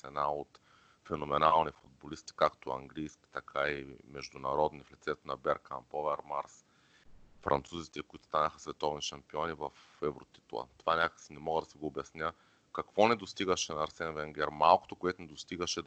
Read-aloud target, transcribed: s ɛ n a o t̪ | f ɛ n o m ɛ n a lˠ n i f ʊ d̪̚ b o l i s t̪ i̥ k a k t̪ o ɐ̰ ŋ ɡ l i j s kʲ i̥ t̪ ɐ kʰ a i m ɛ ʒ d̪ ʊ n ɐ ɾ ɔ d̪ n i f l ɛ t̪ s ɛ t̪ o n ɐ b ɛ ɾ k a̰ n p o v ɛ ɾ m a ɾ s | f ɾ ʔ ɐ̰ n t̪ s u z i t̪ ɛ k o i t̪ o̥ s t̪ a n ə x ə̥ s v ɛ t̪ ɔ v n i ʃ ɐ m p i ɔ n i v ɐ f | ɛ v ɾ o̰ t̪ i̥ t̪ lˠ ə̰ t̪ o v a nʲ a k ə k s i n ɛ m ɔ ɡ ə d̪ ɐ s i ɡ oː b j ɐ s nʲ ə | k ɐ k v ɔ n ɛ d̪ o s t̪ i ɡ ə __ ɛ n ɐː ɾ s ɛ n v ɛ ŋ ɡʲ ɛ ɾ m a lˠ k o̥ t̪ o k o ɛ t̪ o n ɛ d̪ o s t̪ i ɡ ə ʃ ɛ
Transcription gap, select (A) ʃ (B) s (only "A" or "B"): A